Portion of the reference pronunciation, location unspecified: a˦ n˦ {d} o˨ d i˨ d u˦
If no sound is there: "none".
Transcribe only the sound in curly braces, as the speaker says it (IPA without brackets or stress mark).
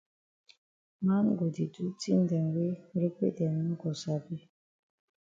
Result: ɡ